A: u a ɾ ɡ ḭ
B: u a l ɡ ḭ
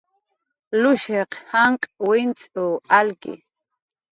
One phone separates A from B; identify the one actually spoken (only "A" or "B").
B